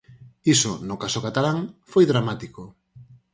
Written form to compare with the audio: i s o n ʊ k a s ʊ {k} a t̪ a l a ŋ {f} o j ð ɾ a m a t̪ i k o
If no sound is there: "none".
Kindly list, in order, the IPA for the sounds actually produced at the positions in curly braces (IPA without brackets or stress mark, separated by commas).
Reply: k, f